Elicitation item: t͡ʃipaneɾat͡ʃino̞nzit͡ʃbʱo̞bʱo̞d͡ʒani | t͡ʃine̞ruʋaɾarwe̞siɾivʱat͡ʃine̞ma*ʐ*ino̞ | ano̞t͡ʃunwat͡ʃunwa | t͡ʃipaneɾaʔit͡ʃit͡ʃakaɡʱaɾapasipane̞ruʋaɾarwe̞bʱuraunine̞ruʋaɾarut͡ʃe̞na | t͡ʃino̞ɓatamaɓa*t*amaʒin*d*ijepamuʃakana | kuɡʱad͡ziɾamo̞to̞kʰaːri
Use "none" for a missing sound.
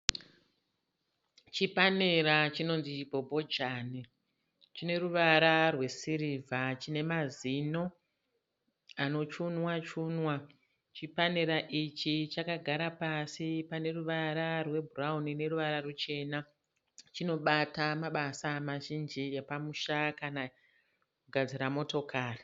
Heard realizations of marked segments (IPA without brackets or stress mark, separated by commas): z, s, d͡ʒ